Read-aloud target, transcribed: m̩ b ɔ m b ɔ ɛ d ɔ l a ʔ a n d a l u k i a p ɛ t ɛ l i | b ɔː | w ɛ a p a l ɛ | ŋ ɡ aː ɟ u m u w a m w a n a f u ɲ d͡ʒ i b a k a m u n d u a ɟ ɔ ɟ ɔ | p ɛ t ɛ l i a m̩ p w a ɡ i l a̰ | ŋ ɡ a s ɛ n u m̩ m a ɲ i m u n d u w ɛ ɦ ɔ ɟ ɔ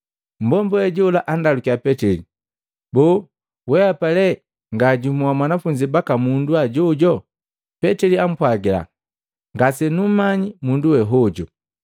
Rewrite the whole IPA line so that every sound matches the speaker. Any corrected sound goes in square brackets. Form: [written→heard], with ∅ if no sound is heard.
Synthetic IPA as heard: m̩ b ɔ m b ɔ ɛ [d→ɟ] ɔ l a ʔ a n d a l u k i a p ɛ t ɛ l i | b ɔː | w ɛ a p a l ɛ | ŋ ɡ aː ɟ u m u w a m w a n a f u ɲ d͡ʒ i b a k a m u n d u a ɟ ɔ ɟ ɔ | p ɛ t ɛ l i a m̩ p w a ɡ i l a̰ | ŋ ɡ a s ɛ n u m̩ m a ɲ i m u n d u w ɛ ɦ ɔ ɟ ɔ

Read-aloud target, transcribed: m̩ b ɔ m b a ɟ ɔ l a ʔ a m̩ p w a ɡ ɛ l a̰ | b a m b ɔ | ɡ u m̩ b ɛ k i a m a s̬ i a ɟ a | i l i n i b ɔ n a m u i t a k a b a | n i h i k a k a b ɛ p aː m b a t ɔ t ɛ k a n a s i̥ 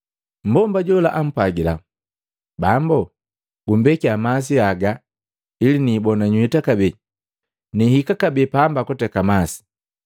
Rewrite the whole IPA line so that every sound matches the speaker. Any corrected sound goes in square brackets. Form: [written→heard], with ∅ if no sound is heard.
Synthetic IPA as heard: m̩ b ɔ m b a ɟ ɔ l a ʔ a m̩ p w a ɡ [ɛ→i] l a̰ | b a m b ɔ | ɡ u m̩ b ɛ k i a m a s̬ i a [ɟ→ɡ] a | i l i n i b ɔ n a [m→ɲ] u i t a k a b [a→ɛ] | n i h i k a k a b ɛ p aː m b a [t→k] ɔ t ɛ k a [n→m] a s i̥

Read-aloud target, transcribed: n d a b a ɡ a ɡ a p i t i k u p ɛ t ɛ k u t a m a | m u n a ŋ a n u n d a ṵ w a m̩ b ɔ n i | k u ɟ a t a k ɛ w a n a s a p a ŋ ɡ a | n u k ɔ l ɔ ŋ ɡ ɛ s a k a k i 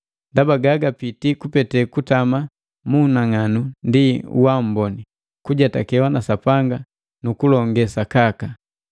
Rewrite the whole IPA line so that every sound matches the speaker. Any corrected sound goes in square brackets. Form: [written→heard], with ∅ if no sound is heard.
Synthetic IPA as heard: n d a b a ɡ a ɡ a p i t i k u p ɛ t ɛ k u t a m a | m u n a ŋ a n u n d [a→i] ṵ w a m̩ b ɔ n i | k u ɟ a t a k ɛ w a n a s a p a ŋ ɡ a | n u k [ɔ→u] l ɔ ŋ ɡ ɛ s a k a k [i→a]

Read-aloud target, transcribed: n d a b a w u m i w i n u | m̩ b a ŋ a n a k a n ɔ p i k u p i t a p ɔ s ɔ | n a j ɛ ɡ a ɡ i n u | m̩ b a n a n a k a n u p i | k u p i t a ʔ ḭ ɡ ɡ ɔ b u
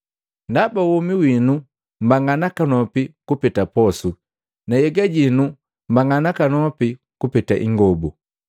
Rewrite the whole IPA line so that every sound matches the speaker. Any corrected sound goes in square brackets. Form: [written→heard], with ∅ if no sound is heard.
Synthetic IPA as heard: n d a b a w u m i w i n u | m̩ b a ŋ a n a k a n ɔ p i k u p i t a p ɔ s [ɔ→u] | n a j ɛ ɡ a [ɡ→ɟ] i n u | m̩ b a [n→ŋ] a n a k a n [u→ɔ] p i | k u p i t a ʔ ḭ [ɡ→ŋ] ɡ ɔ b u

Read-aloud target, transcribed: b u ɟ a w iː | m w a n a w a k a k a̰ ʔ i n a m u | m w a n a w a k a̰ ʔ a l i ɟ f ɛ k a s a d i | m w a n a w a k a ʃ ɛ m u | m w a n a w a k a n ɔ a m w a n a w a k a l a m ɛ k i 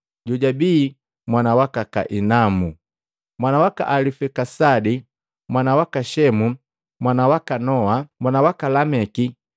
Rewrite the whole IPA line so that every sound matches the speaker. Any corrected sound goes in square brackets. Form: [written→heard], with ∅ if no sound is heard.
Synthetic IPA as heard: [b→ɟ] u ɟ a [w→b] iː | m w a n a w a k a k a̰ ʔ i n a m u | m w a n a w a k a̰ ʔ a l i [ɟ→∅] f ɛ k a s a d i | m w a n a w a k a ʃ ɛ m u | m w a n a w a k a n ɔ a m w a n a w a k a l a m ɛ k i

